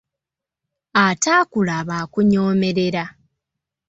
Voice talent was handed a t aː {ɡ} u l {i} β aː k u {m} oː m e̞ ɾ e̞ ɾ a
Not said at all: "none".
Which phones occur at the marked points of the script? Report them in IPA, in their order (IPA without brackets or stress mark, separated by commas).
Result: k, a, ɲ